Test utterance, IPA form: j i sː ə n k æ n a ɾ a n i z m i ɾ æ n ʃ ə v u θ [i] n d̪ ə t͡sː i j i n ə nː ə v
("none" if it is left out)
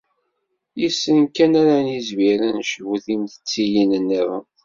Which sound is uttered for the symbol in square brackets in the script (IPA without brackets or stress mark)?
i